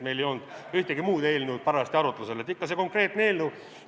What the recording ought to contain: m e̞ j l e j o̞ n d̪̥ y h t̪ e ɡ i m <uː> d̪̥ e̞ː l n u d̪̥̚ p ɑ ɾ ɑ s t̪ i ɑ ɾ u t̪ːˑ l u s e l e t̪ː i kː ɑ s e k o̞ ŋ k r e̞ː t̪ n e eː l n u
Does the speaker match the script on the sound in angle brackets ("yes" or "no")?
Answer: yes